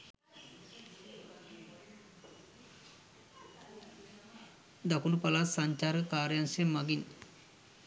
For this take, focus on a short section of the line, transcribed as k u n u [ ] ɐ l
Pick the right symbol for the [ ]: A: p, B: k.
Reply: A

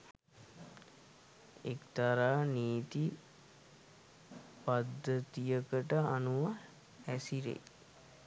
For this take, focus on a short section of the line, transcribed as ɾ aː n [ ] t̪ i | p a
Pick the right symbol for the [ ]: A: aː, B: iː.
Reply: B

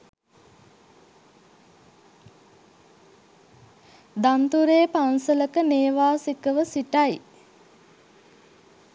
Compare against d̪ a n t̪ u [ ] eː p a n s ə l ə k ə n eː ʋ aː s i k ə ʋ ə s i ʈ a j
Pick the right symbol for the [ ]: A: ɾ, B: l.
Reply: A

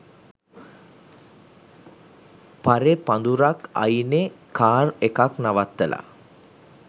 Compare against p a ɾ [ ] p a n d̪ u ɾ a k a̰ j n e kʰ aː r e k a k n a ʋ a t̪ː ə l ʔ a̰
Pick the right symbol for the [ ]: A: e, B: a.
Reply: A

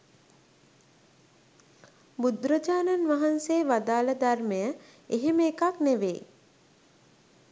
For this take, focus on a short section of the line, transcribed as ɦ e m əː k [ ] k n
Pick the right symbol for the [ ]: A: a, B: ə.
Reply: A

